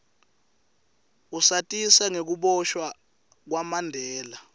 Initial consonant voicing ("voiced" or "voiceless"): voiceless